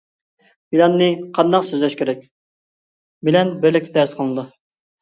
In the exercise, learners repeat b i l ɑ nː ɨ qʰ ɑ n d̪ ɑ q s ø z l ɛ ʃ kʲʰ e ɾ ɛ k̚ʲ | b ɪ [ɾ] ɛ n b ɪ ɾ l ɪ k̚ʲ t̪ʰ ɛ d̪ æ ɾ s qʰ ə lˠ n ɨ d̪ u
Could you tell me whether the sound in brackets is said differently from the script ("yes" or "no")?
yes